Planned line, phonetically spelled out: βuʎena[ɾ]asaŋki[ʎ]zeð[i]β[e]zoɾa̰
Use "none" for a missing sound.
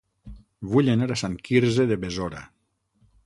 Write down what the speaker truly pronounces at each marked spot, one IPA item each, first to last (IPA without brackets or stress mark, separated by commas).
ɾ, ɾ, e, e